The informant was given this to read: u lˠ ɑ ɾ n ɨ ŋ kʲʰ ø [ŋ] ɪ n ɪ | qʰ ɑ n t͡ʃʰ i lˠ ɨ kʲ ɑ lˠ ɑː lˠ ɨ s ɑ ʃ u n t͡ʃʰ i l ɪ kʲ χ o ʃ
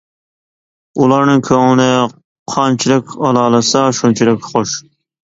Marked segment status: correct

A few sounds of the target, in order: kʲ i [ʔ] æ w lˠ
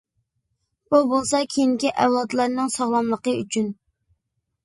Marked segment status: correct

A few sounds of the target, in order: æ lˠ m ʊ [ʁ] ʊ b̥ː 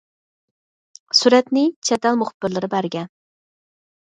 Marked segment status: incorrect: χ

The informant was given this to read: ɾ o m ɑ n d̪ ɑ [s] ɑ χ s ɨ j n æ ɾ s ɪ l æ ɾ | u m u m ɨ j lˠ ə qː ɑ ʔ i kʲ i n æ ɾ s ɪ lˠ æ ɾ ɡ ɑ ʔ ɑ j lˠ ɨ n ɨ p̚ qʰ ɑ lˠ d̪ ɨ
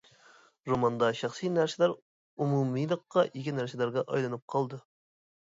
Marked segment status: incorrect: ʃ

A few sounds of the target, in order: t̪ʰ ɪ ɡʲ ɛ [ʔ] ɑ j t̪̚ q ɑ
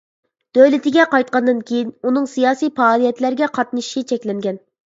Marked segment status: incorrect: q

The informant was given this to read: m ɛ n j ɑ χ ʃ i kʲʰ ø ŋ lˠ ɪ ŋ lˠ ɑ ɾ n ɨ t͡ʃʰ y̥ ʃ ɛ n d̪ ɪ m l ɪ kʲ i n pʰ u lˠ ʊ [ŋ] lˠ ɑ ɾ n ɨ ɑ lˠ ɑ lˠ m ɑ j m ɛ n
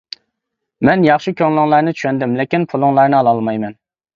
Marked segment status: correct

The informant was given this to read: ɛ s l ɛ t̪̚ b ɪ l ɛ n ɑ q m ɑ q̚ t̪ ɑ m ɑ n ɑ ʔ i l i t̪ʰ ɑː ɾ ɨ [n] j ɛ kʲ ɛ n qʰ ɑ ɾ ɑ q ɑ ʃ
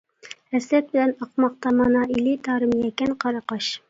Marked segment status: incorrect: m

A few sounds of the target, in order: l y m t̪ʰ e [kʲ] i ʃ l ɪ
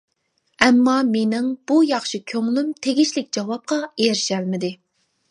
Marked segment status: incorrect: ɡʲ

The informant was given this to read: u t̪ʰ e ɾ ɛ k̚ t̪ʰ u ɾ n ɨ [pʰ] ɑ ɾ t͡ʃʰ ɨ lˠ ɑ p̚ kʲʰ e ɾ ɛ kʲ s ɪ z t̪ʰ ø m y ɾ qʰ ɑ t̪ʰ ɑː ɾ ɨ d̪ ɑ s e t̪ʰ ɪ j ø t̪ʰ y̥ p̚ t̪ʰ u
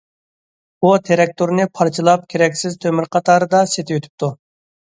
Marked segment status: correct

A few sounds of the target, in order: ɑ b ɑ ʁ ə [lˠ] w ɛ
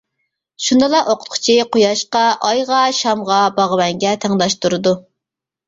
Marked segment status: incorrect: none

